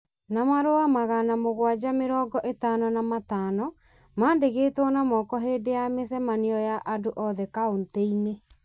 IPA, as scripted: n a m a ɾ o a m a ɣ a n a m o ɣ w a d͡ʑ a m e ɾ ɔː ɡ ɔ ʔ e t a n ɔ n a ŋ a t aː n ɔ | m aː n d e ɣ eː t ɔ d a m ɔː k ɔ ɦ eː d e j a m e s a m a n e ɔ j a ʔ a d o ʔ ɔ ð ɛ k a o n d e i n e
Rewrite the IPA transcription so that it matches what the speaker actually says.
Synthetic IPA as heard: n a m a ɾ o a m a ɣ a n a m o ɣ w a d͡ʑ a m e ɾ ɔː ɡ ɔ ʔ e t a n ɔ n a m a t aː n ɔ | m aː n d e ɣ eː t ɔ n a m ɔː k ɔ ɦ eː d e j a m e s ɛ m a n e ɔ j a ʔ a d o ʔ ɔ ð ɛ k a o n t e i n e